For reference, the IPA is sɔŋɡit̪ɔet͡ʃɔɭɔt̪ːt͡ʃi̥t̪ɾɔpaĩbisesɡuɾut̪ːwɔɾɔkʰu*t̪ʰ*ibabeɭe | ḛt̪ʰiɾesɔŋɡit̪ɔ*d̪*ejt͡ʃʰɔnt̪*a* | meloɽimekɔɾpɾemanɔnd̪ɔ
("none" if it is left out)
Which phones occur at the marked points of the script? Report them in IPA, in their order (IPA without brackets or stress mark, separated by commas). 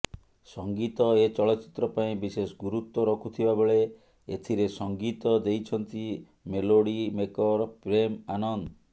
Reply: t̪ʰ, d̪, i